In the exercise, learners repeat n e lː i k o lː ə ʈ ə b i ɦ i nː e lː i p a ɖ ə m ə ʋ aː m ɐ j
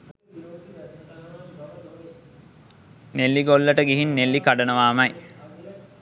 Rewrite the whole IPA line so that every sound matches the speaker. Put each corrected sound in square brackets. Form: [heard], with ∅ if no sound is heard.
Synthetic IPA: n e lː i [ɡ] o lː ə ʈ ə [ɡ] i ɦ i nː e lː i [k] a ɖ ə [n] ə ʋ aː m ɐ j